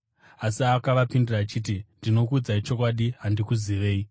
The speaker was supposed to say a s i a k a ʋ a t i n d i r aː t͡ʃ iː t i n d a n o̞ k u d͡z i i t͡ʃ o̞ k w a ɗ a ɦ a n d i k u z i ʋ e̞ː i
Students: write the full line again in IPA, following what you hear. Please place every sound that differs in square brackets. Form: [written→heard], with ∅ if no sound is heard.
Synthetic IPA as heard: a s i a k a ʋ a [t→p] i n d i r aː t͡ʃ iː t i n d [a→i] n o̞ k u d͡z [i→a] i t͡ʃ o̞ k w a ɗ [a→i] ɦ a n d i k u z i ʋ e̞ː i